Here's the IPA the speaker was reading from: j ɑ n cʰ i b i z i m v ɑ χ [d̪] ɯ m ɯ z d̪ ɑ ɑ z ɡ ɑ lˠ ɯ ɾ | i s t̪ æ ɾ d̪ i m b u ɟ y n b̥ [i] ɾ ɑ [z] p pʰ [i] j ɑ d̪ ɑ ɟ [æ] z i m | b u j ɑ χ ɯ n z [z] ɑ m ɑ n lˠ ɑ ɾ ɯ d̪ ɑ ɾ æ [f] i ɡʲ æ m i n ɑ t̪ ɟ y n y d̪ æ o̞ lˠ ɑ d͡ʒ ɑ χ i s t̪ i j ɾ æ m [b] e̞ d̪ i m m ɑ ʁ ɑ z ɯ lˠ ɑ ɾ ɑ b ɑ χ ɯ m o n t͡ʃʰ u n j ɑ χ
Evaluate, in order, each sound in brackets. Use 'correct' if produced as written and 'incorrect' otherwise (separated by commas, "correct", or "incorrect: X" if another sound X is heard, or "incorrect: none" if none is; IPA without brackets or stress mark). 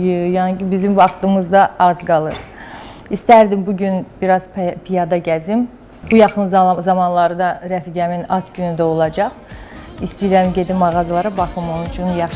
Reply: incorrect: t̪, correct, correct, correct, correct, correct, correct, incorrect: ɟ